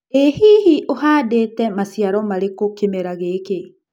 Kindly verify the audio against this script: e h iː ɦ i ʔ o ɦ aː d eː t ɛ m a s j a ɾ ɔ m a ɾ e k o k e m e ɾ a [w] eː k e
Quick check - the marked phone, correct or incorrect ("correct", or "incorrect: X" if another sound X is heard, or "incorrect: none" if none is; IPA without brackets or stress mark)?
incorrect: ɣ